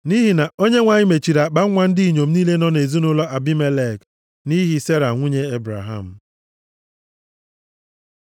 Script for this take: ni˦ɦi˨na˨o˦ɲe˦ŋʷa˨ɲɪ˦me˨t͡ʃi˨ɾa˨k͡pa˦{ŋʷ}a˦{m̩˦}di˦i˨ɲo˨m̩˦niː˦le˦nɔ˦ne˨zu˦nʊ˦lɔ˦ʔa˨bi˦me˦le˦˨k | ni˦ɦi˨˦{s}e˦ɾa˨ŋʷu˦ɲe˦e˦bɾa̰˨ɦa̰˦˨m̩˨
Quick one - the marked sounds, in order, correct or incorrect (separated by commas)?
correct, incorrect, correct